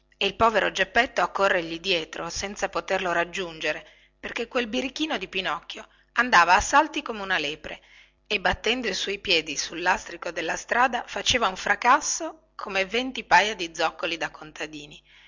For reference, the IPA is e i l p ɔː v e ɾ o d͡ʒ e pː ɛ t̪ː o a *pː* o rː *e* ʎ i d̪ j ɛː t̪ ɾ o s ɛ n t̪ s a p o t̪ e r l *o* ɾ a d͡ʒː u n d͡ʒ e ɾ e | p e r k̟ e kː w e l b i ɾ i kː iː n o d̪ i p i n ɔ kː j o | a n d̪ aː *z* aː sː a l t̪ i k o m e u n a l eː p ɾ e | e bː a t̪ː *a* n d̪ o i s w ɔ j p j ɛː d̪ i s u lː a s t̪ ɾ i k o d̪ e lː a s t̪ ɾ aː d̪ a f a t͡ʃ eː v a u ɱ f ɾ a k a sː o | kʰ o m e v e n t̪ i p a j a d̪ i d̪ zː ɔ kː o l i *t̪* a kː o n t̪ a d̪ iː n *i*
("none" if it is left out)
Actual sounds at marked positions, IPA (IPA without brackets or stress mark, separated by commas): kː, e, o, v, ɛ, d̪, i